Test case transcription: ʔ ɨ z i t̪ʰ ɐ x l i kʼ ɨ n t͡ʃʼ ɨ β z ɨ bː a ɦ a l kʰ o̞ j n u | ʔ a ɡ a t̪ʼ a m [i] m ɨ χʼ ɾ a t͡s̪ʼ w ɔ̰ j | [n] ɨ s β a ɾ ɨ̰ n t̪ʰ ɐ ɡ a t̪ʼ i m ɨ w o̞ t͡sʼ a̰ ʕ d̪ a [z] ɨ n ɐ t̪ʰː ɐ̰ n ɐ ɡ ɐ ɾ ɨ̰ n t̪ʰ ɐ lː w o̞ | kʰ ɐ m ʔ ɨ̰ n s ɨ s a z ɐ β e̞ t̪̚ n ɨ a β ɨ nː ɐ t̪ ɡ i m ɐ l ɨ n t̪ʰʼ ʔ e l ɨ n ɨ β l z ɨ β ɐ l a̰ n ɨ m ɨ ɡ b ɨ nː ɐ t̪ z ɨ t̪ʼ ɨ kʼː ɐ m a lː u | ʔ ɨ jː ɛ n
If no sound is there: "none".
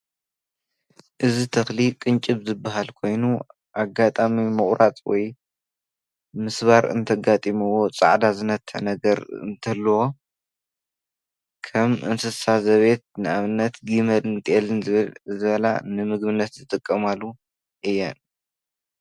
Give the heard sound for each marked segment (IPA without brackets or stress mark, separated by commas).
i, m, z